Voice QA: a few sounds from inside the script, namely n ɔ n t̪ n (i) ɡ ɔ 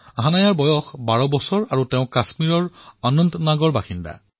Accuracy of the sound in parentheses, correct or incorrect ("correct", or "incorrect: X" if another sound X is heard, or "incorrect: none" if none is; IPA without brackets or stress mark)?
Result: incorrect: a